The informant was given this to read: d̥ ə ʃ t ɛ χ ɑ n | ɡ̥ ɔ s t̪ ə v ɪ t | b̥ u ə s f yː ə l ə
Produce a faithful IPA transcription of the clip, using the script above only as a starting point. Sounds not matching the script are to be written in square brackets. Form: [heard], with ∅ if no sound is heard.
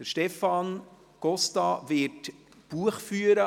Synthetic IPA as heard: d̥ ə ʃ t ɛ [f] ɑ n | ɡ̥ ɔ s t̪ [ɑ] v ɪ t | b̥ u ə [χ] f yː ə [ɾ] ə